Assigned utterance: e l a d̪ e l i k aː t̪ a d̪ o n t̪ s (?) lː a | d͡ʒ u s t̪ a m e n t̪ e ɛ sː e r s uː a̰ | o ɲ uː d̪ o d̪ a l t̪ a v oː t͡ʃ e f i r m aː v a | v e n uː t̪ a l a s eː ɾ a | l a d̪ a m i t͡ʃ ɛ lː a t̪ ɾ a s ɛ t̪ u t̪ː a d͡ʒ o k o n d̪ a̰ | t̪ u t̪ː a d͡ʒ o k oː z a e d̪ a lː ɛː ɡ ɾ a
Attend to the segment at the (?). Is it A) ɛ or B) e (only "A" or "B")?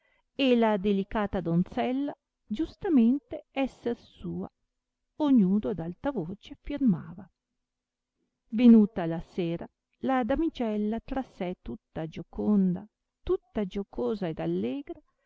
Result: A